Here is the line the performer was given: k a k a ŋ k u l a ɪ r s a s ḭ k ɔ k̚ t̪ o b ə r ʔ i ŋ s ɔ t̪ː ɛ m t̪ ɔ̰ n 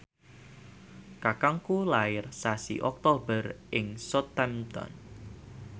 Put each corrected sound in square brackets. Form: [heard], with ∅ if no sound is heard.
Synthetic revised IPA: k a k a ŋ k u l a ɪ r s a s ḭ [ʔ] ɔ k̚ t̪ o b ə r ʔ [ɪ] ŋ s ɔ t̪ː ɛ m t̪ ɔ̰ n